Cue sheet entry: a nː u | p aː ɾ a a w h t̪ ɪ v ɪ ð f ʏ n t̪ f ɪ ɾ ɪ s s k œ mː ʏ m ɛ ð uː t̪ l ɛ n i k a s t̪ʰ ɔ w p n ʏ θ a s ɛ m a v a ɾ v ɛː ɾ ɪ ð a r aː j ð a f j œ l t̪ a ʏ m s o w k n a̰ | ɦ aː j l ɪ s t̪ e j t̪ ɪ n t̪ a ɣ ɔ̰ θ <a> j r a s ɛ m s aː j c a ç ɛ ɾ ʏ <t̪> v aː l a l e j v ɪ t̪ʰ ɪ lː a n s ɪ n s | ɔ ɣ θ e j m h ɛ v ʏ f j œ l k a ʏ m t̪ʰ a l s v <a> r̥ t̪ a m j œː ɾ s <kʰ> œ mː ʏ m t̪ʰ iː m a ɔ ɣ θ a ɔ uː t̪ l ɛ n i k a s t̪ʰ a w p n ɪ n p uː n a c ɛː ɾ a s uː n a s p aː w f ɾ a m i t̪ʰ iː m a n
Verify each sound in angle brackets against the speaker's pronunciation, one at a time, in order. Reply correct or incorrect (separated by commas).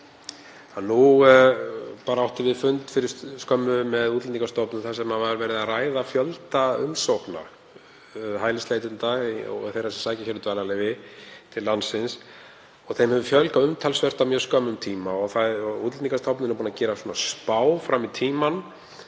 incorrect, correct, incorrect, incorrect